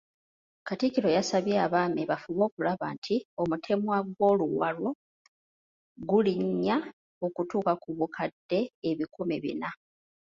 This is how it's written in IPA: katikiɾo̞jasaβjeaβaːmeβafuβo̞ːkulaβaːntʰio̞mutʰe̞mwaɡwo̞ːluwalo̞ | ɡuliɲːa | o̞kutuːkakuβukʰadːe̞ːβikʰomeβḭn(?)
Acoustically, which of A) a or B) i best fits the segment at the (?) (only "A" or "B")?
A